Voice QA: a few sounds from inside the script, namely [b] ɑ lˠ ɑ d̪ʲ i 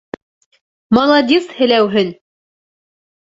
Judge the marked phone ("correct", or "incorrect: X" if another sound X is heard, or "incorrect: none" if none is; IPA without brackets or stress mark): incorrect: m